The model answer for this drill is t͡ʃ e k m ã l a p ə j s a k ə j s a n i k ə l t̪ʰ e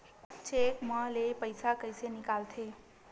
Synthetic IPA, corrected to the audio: t͡ʃ e k m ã l e p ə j s a k ə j s e n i k a l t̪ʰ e